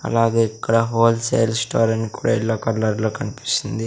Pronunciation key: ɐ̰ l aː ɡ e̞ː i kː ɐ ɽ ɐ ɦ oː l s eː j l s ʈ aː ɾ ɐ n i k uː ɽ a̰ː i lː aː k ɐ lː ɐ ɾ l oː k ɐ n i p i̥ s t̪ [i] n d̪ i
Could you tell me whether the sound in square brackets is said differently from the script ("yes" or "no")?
no